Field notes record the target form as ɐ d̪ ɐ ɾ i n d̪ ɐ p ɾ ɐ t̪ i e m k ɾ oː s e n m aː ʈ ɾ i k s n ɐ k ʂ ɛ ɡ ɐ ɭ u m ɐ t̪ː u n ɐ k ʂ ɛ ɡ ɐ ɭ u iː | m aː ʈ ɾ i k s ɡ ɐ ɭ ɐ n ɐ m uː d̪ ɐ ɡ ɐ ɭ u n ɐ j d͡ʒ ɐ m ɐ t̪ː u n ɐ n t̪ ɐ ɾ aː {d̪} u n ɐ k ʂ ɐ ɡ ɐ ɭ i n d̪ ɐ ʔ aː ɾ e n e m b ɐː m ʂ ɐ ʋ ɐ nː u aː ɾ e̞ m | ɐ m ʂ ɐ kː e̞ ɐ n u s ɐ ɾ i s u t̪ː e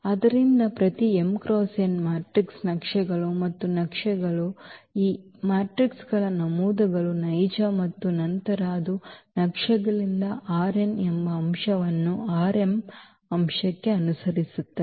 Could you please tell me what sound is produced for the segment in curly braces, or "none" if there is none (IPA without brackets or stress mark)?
d̪